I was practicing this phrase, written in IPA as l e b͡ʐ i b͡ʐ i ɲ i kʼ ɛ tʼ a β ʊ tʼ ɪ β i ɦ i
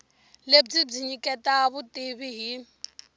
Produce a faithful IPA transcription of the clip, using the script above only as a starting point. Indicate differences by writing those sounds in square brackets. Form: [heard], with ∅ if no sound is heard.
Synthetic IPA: l e b͡ʐ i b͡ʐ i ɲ i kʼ ɛ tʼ a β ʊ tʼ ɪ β i ɦ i

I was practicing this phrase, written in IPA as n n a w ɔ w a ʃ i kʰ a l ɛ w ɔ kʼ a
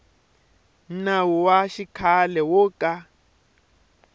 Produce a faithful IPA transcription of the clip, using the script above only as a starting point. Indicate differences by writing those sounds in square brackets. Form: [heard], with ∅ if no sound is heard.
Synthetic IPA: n n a w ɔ w a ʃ i kʰ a l ɛ w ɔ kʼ a

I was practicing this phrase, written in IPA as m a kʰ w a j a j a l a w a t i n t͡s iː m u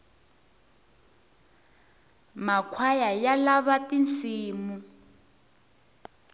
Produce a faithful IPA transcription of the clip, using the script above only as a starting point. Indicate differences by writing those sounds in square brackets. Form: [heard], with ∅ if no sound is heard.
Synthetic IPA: m a kʰ w a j a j a l a [β] a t i n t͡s iː m u

